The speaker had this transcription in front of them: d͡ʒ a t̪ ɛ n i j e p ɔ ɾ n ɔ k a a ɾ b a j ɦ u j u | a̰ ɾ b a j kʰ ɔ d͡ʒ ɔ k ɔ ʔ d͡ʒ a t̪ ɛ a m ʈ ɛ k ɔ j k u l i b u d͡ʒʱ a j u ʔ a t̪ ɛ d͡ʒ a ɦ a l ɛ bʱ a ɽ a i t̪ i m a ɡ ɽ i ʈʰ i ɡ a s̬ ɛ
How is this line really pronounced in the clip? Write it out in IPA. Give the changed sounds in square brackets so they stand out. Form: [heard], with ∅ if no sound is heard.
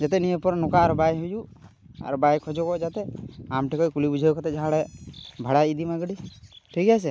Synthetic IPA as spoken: d͡ʒ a t̪ ɛ n i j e p ɔ ɾ n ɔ k a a ɾ b a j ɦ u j u | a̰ ɾ b a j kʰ ɔ d͡ʒ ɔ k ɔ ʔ d͡ʒ a t̪ ɛ a m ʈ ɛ k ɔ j k u l i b u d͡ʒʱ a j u [k] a t̪ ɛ d͡ʒ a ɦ a [ɽ] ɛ bʱ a ɽ a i [d̪] i m a ɡ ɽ i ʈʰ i ɡ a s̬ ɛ